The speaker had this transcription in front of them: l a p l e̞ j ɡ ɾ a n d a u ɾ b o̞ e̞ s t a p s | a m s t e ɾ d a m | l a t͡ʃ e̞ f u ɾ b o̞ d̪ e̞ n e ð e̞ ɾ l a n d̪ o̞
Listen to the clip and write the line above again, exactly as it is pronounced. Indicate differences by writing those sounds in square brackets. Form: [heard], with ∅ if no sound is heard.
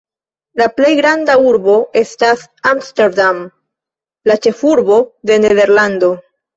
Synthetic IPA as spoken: l a p l e̞ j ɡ ɾ a n d a u ɾ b o̞ e̞ s t a [∅] s | a m s t e ɾ d a m | l a t͡ʃ e̞ f u ɾ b o̞ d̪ e̞ n e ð e̞ ɾ l a n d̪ o̞